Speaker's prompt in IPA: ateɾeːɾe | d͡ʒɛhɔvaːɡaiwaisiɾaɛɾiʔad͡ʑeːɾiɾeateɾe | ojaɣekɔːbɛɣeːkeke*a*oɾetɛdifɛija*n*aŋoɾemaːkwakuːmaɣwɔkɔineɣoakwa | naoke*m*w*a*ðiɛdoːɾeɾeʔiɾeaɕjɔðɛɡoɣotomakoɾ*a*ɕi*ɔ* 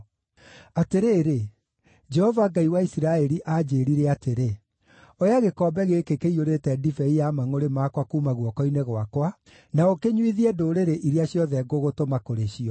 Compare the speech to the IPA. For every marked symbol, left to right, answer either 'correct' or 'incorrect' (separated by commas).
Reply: incorrect, incorrect, incorrect, incorrect, incorrect, correct